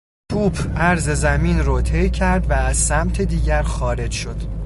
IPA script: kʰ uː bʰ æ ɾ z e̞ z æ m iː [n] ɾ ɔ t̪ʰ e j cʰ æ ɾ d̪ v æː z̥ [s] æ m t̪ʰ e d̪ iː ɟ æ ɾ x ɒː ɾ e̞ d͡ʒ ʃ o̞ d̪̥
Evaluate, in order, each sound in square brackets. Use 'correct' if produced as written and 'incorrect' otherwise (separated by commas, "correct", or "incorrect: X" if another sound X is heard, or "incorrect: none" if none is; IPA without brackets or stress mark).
correct, correct